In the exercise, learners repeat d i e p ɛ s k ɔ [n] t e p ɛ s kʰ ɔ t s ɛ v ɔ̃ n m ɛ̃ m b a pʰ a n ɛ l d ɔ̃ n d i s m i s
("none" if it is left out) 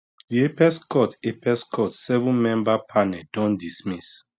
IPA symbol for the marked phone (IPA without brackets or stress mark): none